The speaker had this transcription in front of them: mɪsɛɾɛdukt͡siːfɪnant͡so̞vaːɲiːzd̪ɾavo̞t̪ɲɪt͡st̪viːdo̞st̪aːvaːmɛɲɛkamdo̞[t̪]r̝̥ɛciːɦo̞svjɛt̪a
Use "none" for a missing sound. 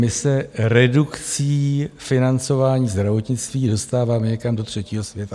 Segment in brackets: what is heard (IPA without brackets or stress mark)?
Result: t̪